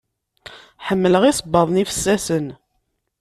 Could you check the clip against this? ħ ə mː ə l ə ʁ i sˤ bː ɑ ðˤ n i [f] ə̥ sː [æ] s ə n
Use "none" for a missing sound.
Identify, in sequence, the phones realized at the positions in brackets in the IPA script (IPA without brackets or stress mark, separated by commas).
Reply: f, æ